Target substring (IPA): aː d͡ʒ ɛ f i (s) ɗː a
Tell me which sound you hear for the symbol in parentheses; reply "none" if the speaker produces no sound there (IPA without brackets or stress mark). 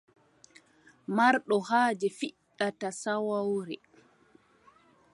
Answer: none